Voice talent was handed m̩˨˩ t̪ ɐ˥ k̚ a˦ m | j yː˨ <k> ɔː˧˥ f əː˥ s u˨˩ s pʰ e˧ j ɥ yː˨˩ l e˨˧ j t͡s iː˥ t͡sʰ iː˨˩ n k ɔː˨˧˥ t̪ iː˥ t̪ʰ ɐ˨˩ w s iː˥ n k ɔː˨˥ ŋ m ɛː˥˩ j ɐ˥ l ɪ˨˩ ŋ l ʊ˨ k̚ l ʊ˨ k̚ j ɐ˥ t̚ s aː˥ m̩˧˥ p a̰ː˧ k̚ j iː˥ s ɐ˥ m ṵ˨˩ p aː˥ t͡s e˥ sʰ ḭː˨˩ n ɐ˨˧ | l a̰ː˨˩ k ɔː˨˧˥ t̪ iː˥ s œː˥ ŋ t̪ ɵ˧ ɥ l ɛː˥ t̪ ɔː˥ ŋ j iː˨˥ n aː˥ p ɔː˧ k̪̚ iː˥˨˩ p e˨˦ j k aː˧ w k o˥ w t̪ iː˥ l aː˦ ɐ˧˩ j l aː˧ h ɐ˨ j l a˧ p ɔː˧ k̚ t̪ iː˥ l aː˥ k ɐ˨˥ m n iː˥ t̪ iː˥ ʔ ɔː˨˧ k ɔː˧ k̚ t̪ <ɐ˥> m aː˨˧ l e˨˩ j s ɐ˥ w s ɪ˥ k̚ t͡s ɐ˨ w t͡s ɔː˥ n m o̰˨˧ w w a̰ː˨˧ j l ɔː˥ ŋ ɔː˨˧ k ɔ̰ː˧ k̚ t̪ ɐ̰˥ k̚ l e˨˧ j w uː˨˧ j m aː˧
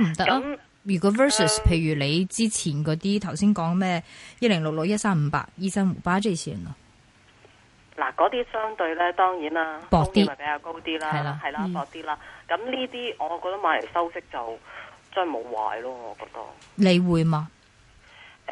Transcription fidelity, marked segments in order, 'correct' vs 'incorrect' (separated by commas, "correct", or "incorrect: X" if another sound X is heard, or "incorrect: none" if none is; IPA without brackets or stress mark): correct, correct